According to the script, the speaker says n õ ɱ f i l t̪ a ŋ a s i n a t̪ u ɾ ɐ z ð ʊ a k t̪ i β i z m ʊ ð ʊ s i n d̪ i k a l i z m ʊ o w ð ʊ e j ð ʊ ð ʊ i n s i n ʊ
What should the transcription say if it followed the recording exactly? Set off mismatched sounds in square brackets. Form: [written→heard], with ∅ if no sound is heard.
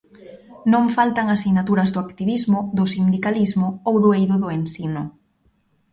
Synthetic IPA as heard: n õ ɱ f [i→a] l t̪ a ŋ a s i n a t̪ u ɾ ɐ z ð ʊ a k t̪ i β i z m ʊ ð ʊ s i n d̪ i k a l i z m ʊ o w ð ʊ e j ð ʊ ð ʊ [i→e] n s i n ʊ